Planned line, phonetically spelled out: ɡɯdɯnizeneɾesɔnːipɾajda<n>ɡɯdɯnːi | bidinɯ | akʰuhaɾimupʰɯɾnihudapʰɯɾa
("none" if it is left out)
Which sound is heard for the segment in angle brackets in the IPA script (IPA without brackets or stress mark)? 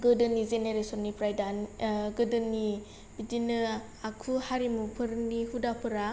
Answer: n